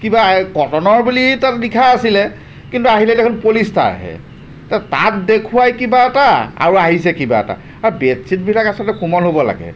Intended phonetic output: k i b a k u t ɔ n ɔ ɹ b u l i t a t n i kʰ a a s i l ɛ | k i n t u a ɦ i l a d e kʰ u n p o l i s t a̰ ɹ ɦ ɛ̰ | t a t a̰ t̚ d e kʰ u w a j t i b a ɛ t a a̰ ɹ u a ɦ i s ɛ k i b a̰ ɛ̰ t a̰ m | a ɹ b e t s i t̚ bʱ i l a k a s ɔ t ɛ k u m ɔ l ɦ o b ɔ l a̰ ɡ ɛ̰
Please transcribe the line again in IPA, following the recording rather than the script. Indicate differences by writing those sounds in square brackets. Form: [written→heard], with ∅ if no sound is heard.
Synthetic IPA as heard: k i b a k [u→ɔ] t ɔ n ɔ ɹ b u l i t a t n i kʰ a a s i l ɛ | k i n t u a ɦ i l [a→ɛ] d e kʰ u n p o l i s t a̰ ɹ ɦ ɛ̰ | t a t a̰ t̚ d e kʰ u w a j [t→k] i b a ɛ t a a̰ ɹ u a ɦ i s ɛ k i b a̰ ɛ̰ t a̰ [m→∅] | a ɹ b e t s i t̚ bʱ i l a k a s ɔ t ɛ k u m ɔ l ɦ o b ɔ l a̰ ɡ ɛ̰